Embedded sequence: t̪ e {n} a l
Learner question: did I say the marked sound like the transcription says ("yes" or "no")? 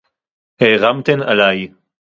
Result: yes